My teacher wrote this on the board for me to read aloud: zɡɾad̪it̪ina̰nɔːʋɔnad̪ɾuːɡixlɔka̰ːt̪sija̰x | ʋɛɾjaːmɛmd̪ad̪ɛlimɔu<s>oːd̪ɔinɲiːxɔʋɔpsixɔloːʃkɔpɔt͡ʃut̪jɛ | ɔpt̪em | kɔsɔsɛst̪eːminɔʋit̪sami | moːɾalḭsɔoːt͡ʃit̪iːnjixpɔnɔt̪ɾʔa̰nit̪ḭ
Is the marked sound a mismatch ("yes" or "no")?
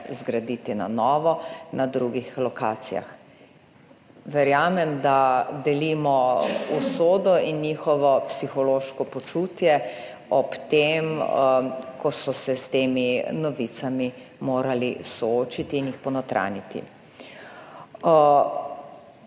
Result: no